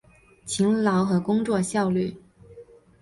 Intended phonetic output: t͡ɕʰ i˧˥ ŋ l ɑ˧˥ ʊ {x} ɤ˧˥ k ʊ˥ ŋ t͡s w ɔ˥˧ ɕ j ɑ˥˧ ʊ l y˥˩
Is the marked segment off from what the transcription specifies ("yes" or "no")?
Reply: no